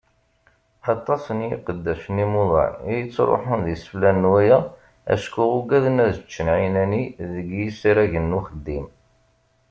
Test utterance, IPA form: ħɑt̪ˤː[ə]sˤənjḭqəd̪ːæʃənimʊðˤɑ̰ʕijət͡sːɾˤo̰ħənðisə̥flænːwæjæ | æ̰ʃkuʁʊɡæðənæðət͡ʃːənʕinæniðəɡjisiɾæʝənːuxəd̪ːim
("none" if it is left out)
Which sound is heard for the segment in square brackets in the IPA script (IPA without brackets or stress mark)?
ɑ